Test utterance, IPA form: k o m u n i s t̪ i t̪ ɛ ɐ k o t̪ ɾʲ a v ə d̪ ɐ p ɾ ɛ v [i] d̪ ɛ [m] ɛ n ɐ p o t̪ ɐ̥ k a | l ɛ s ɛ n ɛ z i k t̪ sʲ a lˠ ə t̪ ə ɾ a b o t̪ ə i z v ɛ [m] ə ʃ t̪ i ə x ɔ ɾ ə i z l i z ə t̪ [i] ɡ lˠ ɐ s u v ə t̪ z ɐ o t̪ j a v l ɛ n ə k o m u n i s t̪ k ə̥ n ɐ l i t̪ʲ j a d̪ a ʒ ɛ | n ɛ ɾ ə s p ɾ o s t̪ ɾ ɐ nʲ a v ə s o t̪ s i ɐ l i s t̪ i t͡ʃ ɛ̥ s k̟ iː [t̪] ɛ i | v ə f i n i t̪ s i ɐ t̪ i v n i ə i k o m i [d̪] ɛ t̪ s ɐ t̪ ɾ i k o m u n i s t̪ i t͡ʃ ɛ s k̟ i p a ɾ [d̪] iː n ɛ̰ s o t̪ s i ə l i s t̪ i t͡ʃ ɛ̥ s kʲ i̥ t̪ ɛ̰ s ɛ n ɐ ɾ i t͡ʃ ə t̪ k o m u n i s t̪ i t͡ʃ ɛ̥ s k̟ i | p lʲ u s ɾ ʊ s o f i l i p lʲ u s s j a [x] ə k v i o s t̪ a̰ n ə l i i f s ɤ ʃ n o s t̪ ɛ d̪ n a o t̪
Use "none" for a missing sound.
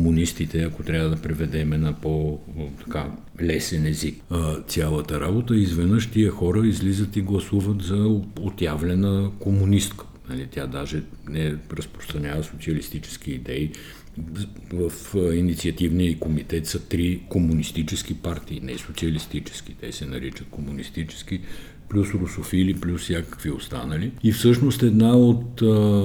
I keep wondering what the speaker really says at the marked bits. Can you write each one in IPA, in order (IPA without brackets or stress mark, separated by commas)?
ɛ, m, n, i, d̪, t̪, t̪, k